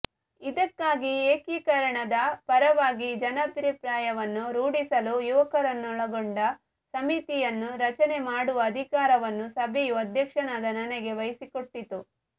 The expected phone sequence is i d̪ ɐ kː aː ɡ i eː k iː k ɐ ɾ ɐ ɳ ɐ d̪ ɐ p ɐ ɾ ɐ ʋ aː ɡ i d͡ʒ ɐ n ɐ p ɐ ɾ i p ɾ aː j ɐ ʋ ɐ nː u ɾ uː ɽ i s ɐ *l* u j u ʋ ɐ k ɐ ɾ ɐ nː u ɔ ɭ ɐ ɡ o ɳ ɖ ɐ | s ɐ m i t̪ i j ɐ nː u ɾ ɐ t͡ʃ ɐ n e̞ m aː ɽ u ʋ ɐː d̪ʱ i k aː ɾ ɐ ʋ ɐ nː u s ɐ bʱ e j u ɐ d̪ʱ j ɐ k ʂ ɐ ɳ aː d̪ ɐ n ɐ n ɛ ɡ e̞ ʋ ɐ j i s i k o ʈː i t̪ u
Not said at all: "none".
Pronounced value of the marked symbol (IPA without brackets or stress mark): l